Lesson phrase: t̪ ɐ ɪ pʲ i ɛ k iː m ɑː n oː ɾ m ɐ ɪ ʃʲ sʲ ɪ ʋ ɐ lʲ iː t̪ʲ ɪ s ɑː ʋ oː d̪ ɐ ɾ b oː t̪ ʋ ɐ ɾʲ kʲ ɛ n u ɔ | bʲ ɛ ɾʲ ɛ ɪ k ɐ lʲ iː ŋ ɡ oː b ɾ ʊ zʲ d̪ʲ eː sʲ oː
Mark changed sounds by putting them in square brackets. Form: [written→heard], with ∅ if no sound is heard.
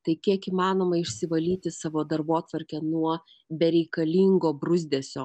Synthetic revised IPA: t̪ ɐ ɪ [pʲ→kʲ] i ɛ k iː m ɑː n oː [ɾ→∅] m ɐ ɪ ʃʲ sʲ ɪ ʋ ɐ lʲ iː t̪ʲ ɪ s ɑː ʋ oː d̪ ɐ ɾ b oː t̪ ʋ ɐ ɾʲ kʲ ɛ n u ɔ | bʲ ɛ ɾʲ ɛ ɪ k ɐ lʲ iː ŋ ɡ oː b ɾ ʊ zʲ d̪ʲ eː sʲ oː